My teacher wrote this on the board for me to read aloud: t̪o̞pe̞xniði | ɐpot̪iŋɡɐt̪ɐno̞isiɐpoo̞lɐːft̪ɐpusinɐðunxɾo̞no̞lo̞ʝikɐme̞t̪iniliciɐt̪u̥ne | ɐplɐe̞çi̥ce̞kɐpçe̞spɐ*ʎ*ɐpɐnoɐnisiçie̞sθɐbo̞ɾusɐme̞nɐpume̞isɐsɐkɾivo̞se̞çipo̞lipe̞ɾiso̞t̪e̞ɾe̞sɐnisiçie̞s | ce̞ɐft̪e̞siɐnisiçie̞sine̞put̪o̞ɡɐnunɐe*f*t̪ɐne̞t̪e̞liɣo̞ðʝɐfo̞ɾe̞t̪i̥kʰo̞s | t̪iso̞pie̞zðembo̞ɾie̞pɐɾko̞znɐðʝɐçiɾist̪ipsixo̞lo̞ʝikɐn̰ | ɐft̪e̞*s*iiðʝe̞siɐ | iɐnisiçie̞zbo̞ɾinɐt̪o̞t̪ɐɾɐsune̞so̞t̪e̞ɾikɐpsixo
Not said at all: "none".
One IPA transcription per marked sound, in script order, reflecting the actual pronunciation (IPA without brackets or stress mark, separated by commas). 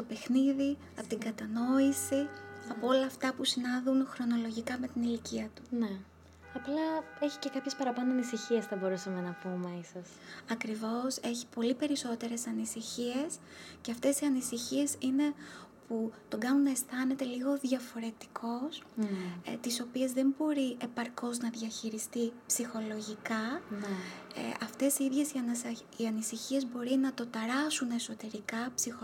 ɾ, s, s